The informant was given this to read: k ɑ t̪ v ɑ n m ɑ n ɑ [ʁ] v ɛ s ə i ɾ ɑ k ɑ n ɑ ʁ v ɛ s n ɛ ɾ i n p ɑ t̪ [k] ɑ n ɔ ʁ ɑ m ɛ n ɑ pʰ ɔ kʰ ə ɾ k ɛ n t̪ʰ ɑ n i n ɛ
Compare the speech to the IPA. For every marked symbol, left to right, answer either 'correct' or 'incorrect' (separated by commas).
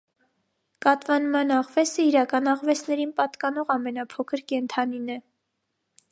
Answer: correct, correct